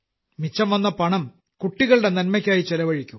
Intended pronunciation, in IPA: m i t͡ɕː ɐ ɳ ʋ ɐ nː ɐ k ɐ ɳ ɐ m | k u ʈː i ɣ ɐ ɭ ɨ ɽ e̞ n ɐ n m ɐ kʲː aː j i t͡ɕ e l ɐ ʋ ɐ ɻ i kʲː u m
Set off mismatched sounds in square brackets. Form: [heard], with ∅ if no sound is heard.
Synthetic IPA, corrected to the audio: m i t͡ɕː ɐ [m] ʋ ɐ nː ɐ [p] ɐ ɳ ɐ m | k u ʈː i ɣ ɐ ɭ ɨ ɽ e̞ n ɐ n m ɐ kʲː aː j i t͡ɕ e l ɐ ʋ ɐ ɻ i kʲː u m